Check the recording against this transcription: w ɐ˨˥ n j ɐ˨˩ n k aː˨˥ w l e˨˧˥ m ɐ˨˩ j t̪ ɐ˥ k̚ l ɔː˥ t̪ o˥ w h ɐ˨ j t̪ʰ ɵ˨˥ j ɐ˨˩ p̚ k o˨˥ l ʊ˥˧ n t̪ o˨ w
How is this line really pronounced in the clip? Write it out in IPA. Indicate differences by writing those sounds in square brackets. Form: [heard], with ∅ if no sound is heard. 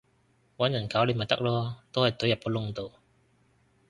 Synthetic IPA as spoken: w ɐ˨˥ n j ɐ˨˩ n k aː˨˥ w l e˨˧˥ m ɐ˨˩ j t̪ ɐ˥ k̚ l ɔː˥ t̪ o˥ w h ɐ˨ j [t̪] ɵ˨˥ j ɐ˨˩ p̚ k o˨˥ l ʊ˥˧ [ŋ] t̪ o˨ w